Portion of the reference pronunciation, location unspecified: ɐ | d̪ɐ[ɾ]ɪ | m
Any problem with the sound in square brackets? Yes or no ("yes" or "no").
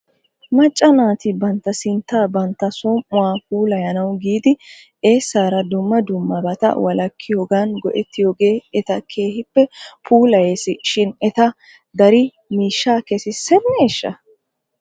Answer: no